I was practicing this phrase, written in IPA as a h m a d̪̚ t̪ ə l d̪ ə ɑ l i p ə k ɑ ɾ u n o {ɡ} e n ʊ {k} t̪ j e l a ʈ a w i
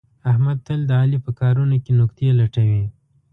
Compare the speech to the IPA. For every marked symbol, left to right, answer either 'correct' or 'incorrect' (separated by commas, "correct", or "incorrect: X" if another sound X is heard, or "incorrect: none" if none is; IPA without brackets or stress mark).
incorrect: k, correct